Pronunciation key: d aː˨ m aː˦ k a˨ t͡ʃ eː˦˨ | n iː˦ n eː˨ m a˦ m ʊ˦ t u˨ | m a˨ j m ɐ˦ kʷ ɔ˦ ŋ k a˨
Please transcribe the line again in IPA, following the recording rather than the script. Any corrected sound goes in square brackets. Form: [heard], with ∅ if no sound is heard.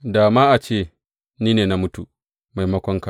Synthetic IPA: d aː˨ m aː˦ [ʔ] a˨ t͡ʃ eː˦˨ | n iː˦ n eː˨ [n] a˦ m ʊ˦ t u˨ | m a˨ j m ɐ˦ kʷ ɔ˦ ŋ k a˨